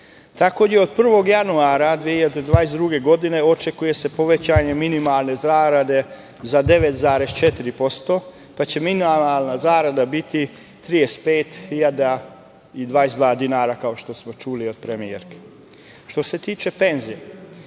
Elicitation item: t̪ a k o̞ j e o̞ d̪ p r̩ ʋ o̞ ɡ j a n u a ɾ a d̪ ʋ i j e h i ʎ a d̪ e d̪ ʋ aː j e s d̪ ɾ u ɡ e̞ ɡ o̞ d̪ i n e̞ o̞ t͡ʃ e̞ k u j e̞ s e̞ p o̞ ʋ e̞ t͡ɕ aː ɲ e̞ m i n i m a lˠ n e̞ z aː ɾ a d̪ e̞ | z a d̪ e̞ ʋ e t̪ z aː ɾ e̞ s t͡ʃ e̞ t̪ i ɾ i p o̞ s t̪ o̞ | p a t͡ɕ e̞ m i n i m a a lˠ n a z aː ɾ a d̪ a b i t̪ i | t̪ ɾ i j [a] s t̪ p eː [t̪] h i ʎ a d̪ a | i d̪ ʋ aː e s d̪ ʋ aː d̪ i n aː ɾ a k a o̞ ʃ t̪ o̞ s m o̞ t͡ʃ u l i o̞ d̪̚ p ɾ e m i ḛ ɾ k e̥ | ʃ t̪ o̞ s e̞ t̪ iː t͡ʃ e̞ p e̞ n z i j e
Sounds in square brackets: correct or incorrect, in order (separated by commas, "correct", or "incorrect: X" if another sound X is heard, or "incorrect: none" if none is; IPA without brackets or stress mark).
incorrect: e, correct